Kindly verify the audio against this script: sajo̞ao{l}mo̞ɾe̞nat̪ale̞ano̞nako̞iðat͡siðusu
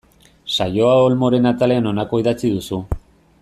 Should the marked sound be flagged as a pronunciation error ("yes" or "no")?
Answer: no